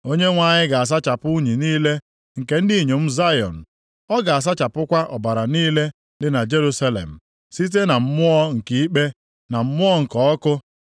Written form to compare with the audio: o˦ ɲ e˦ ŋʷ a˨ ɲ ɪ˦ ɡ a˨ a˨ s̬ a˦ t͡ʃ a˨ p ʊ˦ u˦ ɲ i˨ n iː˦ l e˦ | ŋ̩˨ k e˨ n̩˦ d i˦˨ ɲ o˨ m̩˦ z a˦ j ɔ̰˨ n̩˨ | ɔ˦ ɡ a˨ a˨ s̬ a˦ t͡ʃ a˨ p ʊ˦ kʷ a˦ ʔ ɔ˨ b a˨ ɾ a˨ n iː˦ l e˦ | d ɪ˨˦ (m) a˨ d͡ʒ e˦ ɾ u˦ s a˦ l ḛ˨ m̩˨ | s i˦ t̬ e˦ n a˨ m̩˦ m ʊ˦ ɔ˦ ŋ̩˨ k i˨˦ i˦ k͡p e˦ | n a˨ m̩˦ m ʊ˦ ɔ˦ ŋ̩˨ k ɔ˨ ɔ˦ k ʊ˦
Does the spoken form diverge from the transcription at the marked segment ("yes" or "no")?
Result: yes